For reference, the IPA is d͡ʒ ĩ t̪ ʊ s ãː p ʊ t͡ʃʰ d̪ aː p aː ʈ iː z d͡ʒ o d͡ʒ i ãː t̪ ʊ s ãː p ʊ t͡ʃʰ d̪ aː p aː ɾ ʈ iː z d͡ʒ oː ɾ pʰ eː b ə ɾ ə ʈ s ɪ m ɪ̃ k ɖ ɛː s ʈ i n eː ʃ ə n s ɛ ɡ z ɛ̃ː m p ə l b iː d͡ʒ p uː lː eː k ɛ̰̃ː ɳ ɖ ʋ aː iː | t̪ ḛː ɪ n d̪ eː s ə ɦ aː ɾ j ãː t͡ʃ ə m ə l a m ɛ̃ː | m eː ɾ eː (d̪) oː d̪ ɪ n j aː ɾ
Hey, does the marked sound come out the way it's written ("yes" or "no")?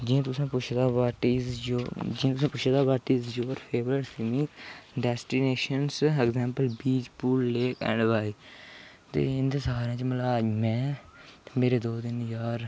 yes